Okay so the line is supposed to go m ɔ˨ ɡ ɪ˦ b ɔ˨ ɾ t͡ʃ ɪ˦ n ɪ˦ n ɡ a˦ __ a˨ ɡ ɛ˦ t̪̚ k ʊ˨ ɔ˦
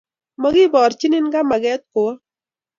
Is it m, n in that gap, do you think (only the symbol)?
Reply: m